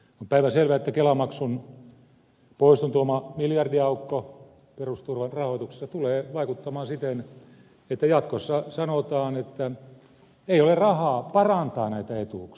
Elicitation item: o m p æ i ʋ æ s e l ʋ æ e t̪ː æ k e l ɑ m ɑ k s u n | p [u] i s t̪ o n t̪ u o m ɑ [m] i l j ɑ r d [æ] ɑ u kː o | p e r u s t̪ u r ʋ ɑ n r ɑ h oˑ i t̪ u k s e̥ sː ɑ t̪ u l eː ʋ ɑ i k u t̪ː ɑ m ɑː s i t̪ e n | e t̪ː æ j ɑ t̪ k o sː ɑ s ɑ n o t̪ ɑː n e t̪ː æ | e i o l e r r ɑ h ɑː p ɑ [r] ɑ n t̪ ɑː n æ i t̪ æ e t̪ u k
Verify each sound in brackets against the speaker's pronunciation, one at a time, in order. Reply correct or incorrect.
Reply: incorrect: o, correct, incorrect: i, correct

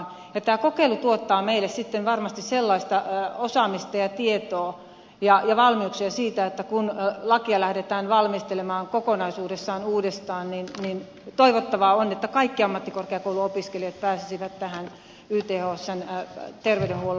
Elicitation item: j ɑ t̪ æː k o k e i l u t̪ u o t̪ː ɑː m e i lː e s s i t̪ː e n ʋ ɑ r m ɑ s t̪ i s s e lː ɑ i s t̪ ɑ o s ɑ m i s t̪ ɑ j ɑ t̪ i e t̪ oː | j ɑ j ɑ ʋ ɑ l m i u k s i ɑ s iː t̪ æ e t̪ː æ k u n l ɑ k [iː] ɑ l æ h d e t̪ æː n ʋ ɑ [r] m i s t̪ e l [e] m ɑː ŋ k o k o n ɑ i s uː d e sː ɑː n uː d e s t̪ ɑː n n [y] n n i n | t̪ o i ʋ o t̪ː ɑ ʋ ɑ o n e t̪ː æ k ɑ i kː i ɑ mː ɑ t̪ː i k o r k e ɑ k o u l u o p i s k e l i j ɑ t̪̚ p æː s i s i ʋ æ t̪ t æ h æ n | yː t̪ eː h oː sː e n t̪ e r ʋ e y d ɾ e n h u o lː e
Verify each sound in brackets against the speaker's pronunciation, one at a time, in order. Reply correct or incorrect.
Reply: incorrect: i, incorrect: l, correct, incorrect: i

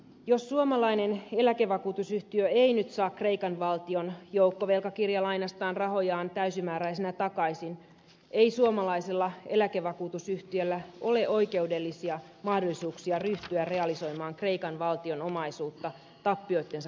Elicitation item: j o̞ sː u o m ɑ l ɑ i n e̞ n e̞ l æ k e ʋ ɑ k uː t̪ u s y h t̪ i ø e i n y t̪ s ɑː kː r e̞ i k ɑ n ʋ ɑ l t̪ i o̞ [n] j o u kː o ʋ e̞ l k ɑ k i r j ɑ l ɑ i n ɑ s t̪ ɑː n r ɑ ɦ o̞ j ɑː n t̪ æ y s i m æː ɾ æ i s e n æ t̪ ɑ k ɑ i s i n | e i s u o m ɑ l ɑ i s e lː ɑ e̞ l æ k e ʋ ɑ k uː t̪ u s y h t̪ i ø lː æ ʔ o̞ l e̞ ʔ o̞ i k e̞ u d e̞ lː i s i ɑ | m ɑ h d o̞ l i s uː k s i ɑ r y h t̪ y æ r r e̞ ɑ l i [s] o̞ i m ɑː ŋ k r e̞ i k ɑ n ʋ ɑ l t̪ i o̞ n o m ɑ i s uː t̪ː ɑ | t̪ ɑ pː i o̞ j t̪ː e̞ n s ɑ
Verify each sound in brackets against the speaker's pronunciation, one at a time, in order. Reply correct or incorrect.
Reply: correct, correct

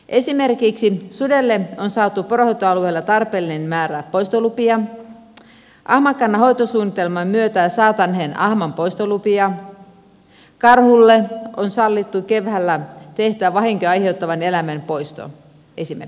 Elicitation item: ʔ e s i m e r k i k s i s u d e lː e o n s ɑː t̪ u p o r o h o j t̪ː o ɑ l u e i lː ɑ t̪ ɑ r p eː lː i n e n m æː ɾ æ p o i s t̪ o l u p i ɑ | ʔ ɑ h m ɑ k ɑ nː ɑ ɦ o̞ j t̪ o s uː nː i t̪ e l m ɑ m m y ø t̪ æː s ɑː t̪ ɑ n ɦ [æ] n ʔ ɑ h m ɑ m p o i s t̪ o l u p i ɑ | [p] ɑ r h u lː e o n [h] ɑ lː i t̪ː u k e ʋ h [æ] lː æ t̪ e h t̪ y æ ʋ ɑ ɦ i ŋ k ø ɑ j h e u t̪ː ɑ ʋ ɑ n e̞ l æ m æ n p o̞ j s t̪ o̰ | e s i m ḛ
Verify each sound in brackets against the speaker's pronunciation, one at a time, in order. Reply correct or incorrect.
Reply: incorrect: e, incorrect: k, incorrect: s, correct

